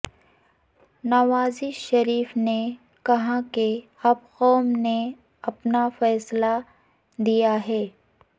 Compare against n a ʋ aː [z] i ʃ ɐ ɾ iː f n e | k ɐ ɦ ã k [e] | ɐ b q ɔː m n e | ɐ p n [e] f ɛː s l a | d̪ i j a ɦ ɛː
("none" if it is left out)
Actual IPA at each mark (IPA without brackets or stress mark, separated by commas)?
z, e, a